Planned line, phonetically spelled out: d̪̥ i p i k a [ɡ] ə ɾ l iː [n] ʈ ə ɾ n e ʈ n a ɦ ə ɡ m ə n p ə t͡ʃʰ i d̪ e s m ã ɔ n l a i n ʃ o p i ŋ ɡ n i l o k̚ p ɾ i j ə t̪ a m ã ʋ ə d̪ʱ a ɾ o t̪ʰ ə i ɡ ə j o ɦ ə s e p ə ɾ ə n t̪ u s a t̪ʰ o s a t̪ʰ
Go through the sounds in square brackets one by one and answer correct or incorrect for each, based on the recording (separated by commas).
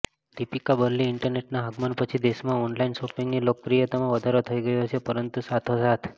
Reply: incorrect, incorrect